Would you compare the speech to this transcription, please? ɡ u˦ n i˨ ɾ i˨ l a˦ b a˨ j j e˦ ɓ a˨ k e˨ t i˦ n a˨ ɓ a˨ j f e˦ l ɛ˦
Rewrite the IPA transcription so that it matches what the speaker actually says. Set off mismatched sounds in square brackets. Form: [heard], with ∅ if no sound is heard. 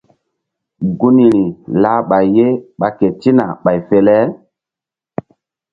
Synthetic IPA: ɡ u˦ n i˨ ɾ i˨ l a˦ [ɓ] a˨ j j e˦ ɓ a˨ k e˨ t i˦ n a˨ ɓ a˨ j f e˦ l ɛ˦